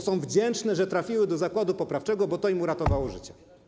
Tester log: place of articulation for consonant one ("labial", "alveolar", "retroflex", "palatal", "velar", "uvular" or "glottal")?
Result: alveolar